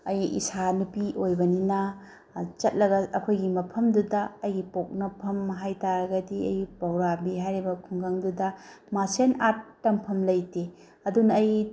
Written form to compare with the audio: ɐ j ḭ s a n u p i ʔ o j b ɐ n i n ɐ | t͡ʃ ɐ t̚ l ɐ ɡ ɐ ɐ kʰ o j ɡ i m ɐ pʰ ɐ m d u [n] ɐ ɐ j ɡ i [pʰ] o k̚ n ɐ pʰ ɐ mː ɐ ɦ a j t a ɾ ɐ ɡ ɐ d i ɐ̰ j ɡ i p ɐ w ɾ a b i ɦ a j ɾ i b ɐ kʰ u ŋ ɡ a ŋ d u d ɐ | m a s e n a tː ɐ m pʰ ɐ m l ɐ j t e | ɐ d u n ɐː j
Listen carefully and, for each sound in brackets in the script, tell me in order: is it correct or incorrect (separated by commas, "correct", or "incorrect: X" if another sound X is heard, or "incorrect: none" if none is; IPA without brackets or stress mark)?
incorrect: d, incorrect: p